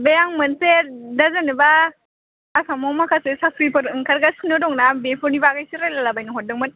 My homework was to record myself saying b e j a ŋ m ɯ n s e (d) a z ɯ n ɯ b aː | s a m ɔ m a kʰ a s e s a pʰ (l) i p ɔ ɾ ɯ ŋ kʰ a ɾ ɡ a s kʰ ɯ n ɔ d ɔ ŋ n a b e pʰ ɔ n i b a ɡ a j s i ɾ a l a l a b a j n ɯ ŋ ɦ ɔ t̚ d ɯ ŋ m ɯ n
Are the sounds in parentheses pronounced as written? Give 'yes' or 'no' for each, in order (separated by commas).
yes, no